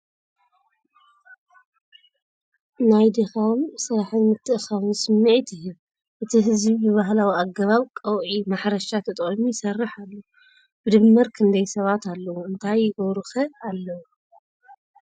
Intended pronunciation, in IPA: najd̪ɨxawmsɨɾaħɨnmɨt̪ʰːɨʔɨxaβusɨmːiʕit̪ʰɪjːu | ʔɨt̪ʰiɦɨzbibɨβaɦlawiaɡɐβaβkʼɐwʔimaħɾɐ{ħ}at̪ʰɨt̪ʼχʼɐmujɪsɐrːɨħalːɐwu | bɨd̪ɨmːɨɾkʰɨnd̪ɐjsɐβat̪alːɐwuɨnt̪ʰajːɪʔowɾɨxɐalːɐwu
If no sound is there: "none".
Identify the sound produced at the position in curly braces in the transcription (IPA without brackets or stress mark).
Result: ʃ